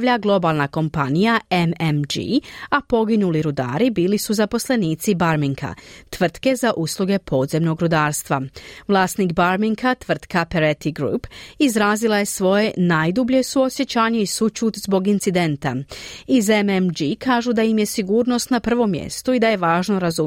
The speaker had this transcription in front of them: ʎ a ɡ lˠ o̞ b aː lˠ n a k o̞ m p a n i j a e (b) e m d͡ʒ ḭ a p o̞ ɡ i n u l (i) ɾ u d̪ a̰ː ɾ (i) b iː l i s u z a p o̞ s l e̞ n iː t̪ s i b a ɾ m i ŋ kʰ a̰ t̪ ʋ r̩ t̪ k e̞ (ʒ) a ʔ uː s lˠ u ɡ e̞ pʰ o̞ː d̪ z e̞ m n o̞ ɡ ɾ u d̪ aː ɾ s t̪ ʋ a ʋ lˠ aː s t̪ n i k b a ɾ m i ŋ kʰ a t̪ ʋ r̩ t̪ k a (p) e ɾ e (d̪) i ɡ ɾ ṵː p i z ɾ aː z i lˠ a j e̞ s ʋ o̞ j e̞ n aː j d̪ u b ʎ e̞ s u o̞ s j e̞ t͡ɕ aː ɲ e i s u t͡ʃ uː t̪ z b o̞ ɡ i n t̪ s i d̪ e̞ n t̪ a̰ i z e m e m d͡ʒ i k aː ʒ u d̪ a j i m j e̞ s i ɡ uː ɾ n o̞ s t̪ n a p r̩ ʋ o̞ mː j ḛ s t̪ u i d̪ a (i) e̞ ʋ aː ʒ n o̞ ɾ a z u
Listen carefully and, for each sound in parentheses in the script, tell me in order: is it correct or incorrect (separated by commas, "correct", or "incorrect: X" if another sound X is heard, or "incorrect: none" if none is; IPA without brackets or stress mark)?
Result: incorrect: m, correct, correct, incorrect: z, correct, incorrect: t̪, incorrect: j